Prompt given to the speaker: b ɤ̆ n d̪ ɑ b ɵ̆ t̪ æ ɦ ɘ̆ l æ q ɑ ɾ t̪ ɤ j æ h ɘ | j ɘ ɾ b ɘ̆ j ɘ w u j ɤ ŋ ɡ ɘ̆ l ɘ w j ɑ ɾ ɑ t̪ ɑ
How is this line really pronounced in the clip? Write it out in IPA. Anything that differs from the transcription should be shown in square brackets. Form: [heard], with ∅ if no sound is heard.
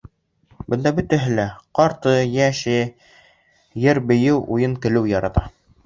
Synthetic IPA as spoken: b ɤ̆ n d̪ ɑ b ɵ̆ t̪ æ ɦ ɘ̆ l æ q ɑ ɾ t̪ ɤ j æ [ʃ] ɘ | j ɘ ɾ b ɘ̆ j ɘ w u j ɤ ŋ [k] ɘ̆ l ɘ w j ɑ ɾ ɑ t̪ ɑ